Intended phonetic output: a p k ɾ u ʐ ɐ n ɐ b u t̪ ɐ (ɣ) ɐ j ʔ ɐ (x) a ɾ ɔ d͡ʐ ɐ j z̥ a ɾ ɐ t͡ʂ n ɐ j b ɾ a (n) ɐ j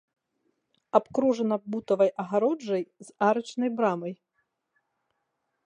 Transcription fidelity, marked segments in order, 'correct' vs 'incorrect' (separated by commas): incorrect, incorrect, incorrect